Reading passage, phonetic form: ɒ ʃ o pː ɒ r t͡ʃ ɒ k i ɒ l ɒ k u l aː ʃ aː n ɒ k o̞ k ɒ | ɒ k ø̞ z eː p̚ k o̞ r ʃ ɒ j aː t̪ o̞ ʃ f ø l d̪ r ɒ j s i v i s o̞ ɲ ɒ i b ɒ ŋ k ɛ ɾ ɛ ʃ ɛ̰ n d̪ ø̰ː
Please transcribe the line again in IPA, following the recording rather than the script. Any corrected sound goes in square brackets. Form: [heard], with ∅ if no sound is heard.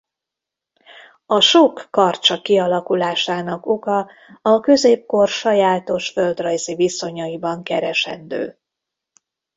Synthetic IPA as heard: ɒ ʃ o [kː] ɒ r t͡ʃ ɒ k i ɒ l ɒ k u l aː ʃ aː n ɒ k o̞ k ɒ | ɒ k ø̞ z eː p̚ k o̞ r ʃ ɒ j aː t̪ o̞ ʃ f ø l d̪ r ɒ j [z] i v i s o̞ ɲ ɒ i b ɒ ŋ k ɛ ɾ ɛ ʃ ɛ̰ n d̪ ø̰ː